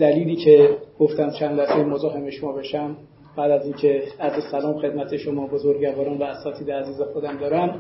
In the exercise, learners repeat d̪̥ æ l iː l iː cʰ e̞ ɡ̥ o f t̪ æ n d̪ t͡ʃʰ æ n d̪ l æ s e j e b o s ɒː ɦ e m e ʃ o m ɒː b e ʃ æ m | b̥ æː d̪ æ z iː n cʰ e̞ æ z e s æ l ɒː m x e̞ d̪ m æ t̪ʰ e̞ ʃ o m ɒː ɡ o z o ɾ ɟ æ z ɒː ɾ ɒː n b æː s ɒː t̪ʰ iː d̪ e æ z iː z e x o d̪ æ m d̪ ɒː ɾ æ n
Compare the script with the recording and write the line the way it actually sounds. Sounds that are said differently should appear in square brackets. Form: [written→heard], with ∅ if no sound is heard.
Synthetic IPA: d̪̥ æ l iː l iː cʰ e̞ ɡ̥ o f t̪ æ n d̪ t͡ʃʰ æ n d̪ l æ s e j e [b→m] o [s→z] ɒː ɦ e m e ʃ o m ɒː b e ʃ æ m | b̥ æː d̪ æ z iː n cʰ e̞ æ z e s æ l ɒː m x e̞ d̪ m æ t̪ʰ e̞ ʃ o m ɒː [ɡ→b] o z o ɾ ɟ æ [z→v] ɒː ɾ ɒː n [b→v] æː s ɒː t̪ʰ iː d̪ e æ z iː z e x o d̪ æ m d̪ ɒː ɾ æ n